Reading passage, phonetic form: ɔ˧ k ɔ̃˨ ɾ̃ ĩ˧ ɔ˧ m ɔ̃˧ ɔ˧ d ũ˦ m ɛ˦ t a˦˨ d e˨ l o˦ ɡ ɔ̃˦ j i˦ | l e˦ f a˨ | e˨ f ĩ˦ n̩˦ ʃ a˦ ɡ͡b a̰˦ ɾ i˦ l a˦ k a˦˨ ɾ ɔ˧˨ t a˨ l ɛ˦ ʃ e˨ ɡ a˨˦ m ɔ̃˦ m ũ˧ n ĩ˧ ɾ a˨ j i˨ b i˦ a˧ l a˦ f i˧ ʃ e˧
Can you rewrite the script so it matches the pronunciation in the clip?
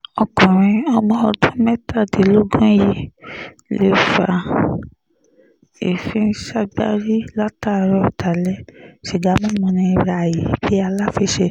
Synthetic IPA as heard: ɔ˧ k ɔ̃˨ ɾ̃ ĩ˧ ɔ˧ m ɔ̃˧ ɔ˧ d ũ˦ m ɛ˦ t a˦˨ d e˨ l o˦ ɡ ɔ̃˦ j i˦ | l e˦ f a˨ | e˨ f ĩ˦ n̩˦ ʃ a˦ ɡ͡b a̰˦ ɾ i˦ l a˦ t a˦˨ ɾ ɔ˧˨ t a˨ l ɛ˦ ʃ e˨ ɡ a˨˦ m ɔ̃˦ m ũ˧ n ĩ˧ ɾ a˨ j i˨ b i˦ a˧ l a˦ f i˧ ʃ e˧